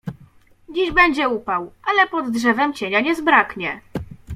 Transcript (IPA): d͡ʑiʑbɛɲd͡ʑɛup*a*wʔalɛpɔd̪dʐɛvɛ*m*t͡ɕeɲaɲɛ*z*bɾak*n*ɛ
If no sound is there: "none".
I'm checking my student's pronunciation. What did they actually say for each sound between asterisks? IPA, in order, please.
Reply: a, m, z, ɲ

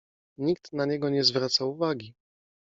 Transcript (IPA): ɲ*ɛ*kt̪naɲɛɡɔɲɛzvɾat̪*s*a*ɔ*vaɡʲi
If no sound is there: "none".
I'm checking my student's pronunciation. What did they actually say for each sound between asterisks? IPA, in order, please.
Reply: i, s, u

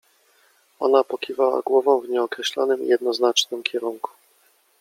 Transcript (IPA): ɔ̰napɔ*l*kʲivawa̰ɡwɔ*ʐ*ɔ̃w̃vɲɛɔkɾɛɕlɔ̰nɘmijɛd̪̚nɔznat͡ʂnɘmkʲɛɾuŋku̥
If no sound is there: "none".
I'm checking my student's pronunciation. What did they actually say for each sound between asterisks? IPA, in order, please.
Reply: none, v

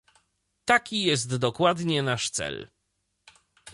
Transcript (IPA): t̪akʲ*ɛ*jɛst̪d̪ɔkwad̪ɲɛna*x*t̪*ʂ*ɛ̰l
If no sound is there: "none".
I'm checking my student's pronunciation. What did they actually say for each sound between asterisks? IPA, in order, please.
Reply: i, ʂ, s

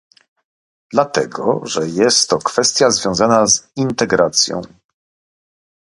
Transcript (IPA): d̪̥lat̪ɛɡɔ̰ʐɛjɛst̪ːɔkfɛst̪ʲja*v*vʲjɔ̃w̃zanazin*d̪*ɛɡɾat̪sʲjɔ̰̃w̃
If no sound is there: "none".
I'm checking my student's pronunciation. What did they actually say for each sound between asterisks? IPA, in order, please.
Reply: z, t̪

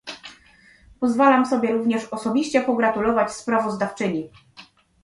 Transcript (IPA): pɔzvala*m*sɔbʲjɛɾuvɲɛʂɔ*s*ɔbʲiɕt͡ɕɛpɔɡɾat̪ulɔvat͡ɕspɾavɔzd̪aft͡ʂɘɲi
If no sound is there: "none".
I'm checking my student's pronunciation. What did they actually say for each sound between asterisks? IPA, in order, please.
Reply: m, s

